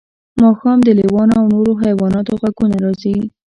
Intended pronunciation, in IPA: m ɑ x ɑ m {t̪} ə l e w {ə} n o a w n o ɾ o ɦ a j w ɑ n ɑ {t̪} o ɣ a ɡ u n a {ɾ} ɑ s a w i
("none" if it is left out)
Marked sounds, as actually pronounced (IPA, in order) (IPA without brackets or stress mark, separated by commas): d̪, ɑ, t̪, ɾ